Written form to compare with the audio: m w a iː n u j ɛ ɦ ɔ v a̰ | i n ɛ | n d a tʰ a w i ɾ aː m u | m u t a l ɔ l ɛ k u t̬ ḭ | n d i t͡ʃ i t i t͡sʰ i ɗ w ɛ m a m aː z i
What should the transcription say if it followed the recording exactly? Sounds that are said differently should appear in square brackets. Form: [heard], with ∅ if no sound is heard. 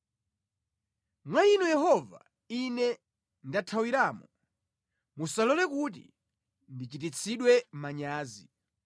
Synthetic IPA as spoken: m w a [i] n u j ɛ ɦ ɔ v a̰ | i n ɛ | n d a tʰ a w i ɾ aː m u | m u [s] a l ɔ l ɛ k u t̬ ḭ | n d i t͡ʃ i t i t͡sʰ i ɗ w ɛ m a [ɲ] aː z i